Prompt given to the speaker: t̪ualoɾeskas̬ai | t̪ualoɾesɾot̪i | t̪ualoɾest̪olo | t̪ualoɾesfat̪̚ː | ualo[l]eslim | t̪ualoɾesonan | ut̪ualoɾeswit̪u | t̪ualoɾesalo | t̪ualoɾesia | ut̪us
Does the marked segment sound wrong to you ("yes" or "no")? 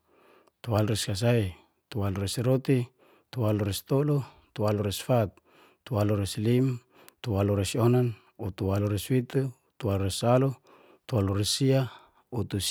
yes